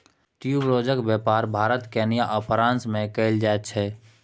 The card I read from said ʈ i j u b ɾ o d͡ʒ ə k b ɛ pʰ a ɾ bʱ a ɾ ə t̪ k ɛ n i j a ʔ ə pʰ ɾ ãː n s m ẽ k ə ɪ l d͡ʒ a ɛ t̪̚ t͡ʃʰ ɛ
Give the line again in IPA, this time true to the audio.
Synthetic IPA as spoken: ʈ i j u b ɾ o d͡ʒ ə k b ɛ p a ɾ bʱ a ɾ ə t̪ k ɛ n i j a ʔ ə pʰ ɾ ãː n s m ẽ k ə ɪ l d͡ʒ a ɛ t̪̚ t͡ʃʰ ɛ